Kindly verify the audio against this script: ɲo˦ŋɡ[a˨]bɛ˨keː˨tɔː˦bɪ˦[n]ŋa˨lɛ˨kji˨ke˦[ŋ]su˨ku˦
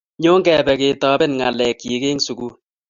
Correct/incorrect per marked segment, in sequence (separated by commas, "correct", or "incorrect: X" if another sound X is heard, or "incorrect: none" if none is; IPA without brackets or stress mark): incorrect: ɛ˨, correct, correct